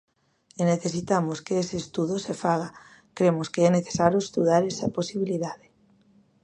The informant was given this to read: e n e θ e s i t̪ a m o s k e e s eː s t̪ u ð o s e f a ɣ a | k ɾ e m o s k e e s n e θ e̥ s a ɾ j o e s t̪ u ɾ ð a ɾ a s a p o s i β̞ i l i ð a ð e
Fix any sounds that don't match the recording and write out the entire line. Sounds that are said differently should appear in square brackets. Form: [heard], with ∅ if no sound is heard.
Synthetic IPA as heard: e n e θ e s i t̪ a m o s k e e s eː s t̪ u ð o s e f a ɣ a | k ɾ e m o s k e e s n e θ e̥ s a ɾ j o e s t̪ u [∅] ð a ɾ [e] s a p o s i β̞ i l i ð a ð e